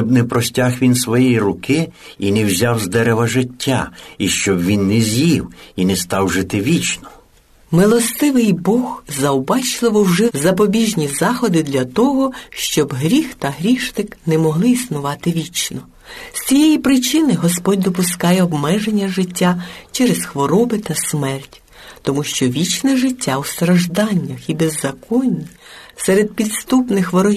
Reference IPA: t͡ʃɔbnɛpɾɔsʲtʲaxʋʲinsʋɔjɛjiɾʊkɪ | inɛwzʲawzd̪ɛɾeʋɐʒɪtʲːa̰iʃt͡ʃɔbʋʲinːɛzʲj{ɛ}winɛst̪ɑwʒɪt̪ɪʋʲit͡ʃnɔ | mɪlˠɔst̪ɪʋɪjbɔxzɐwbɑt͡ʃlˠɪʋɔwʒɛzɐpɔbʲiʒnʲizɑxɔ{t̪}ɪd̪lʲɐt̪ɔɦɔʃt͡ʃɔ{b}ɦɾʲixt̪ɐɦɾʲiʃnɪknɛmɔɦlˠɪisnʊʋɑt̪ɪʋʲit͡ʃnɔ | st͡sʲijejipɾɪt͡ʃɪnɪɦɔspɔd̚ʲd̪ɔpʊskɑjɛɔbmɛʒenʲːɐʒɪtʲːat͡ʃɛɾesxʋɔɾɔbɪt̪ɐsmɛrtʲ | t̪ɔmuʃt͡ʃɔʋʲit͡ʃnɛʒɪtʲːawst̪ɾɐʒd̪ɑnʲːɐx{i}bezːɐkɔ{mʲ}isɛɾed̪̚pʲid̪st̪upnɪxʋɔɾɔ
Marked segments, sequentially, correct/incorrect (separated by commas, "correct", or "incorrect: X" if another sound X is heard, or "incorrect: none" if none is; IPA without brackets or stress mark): incorrect: i, incorrect: d̪, correct, correct, incorrect: nʲ